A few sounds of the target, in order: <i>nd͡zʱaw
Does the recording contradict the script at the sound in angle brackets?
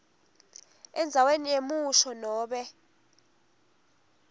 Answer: yes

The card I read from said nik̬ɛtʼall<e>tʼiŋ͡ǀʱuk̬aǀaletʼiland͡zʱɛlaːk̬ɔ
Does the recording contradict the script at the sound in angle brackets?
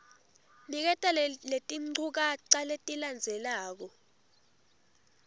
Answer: no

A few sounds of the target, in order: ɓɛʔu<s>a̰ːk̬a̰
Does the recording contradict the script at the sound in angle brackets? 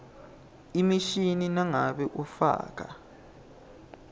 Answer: yes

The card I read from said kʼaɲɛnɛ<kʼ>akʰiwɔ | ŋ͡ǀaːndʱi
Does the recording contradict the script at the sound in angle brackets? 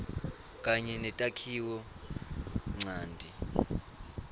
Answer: yes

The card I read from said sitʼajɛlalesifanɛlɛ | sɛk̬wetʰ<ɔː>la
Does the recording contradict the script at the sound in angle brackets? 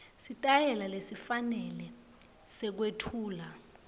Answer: yes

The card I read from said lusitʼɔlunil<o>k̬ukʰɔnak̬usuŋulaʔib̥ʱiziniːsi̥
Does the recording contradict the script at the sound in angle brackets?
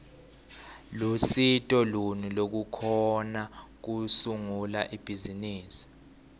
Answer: no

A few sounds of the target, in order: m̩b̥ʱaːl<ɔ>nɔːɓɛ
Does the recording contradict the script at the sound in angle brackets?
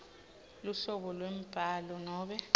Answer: no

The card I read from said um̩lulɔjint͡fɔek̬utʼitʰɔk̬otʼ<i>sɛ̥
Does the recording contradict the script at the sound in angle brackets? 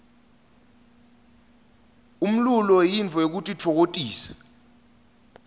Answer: yes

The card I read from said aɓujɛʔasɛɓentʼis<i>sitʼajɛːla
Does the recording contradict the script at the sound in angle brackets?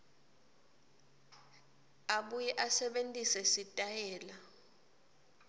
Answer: yes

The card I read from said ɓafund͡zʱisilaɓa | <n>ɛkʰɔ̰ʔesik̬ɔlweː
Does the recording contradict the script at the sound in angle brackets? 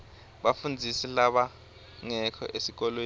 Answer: yes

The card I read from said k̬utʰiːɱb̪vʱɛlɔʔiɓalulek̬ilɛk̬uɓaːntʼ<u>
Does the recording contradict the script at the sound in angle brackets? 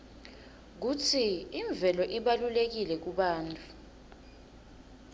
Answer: no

